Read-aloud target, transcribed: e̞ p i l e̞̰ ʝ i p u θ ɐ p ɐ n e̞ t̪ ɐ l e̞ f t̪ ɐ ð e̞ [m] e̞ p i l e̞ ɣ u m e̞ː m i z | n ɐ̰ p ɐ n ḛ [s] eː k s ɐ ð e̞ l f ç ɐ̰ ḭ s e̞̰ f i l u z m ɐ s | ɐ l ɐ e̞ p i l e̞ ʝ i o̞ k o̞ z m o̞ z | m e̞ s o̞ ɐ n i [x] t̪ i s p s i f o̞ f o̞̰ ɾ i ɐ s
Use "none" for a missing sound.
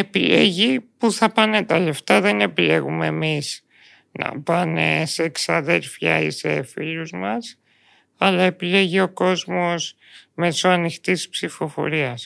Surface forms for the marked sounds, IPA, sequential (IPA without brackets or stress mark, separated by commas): n, s, x